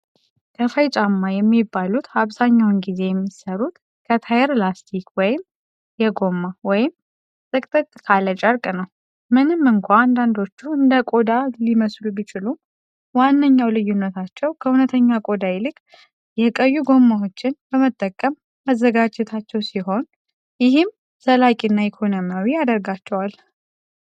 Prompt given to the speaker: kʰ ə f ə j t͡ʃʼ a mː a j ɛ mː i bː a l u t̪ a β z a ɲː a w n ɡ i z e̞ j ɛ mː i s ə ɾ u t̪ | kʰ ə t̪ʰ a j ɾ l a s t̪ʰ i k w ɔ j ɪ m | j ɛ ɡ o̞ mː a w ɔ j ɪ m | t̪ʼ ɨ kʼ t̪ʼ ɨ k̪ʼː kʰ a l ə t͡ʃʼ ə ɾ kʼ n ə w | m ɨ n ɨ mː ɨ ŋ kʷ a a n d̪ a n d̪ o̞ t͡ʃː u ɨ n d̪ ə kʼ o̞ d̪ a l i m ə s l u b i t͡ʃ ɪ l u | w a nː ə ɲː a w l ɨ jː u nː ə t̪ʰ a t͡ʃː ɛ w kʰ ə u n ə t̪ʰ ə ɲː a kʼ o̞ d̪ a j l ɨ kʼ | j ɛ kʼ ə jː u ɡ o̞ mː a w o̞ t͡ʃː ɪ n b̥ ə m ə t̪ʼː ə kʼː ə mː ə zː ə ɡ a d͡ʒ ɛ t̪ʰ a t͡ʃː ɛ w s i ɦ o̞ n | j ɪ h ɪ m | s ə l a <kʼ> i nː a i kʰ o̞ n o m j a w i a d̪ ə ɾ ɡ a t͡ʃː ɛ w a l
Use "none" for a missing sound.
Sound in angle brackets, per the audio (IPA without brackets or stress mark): kʼ